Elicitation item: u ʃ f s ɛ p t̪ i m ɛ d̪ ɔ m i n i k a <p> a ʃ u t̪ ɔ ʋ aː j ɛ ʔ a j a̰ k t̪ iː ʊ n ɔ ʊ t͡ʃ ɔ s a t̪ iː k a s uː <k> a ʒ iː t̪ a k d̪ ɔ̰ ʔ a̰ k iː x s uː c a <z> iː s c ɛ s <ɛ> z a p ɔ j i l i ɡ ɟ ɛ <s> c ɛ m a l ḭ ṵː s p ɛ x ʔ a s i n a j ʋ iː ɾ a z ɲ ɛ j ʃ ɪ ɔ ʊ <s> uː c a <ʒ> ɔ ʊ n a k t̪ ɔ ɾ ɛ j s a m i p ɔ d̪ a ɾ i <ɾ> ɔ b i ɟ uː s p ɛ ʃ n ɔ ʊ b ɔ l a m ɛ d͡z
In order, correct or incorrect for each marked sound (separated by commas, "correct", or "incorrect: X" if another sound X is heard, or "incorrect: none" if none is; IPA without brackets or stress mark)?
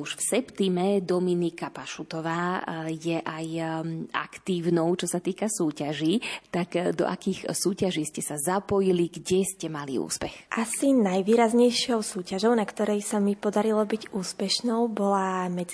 correct, incorrect: c, incorrect: ʒ, incorrect: a, correct, correct, correct, incorrect: l